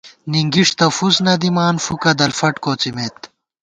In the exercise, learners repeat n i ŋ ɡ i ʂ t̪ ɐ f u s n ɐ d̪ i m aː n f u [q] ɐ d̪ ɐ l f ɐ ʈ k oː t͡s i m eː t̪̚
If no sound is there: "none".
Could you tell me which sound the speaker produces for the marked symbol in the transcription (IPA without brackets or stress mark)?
k